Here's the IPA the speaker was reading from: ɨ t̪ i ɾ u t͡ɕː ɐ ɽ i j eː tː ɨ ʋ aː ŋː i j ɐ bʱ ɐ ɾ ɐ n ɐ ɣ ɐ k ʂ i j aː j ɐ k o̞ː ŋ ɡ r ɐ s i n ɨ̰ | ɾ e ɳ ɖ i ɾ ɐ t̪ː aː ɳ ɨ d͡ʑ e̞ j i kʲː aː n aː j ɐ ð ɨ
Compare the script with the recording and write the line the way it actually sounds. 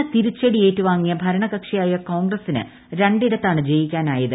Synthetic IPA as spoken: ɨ t̪ i ɾ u t͡ɕː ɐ ɽ i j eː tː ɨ ʋ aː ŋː i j ɐ bʱ ɐ ɾ ɐ ɳ ɐ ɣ ɐ k ʂ i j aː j ɐ k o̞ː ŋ ɡ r ɐ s i n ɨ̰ | ɾ e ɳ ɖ i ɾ ɐ t̪ː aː ɳ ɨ d͡ʑ e̞ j i kʲː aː n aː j ɐ ð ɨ